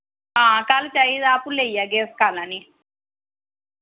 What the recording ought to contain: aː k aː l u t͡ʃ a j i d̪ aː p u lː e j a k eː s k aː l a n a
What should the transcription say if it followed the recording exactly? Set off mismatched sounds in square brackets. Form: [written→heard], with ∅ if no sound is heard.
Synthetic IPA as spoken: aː k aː l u t͡ʃ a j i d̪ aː p u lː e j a [k→ɡ] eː s k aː l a n [a→i]